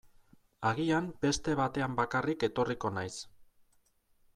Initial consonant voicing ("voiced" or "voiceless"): voiced